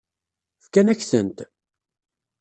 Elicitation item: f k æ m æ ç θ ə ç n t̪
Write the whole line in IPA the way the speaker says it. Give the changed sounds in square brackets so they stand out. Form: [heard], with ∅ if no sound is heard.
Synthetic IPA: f k æ [n] æ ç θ ə [∅] n t̪